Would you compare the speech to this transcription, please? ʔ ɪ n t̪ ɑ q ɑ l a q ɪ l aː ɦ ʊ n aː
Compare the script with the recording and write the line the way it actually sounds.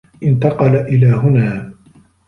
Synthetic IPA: ʔ ɪ n t̪ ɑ q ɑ l a ʔ ɪ l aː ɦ ʊ n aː